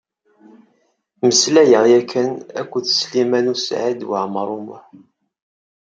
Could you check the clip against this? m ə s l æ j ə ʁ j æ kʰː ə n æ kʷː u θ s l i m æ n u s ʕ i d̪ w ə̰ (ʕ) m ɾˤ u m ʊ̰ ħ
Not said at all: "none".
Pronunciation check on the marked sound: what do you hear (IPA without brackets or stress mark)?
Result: ʕ